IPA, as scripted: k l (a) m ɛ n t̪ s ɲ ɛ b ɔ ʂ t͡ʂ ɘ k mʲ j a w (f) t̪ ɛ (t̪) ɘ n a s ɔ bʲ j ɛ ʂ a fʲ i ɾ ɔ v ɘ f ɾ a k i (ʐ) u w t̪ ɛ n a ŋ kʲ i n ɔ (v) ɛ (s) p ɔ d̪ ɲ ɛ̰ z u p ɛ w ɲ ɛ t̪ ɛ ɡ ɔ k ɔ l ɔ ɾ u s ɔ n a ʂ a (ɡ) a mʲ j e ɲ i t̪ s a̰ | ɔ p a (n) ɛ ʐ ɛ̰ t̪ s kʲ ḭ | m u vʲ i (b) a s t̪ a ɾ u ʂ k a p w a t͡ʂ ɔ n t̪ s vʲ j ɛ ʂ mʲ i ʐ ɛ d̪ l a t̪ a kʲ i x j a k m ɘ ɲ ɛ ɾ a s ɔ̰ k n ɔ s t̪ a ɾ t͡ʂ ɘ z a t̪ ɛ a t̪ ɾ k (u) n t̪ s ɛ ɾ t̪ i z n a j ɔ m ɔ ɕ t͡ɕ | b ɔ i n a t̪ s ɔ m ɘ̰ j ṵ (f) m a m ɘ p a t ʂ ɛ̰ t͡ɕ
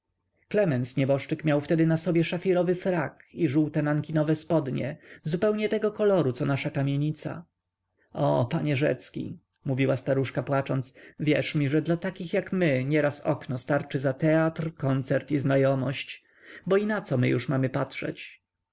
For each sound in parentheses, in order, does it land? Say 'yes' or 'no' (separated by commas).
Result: no, yes, no, yes, yes, yes, no, no, no, no, no